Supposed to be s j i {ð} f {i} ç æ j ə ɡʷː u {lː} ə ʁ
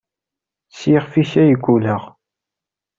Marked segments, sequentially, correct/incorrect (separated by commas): incorrect, correct, incorrect